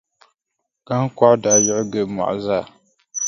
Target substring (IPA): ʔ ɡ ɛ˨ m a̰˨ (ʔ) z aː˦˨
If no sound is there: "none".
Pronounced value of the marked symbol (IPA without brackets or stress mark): ʔ